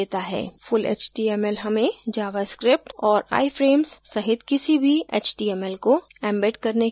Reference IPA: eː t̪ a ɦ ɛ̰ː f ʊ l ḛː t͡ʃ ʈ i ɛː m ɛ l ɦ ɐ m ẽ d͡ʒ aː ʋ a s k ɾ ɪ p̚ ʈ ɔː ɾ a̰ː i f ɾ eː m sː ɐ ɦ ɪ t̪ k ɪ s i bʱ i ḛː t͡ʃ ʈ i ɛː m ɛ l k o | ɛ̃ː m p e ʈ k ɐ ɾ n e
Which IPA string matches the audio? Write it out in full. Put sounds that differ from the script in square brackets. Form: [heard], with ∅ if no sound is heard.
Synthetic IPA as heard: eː t̪ a ɦ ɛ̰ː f ʊ l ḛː t͡ʃ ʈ i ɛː m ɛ l ɦ ɐ m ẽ d͡ʒ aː ʋ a s k ɾ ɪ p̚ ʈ ɔː ɾ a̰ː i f ɾ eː m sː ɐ ɦ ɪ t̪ k ɪ s i bʱ i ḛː t͡ʃ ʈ i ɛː m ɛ l k o | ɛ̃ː m [b] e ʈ k ɐ ɾ n e

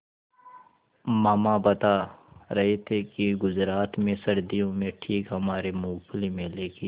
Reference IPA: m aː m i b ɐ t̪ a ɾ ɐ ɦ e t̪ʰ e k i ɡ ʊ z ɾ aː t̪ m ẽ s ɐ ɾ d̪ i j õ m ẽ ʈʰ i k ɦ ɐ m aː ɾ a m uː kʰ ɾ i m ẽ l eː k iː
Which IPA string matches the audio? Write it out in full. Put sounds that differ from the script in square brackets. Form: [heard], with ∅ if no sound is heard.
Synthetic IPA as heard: m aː m [a] b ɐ t̪ a ɾ ɐ ɦ e t̪ʰ e k i ɡ ʊ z ɾ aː t̪ m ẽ s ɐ ɾ d̪ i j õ m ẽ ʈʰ [iː] k ɦ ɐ m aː ɾ [e] m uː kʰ [l] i m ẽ l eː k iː

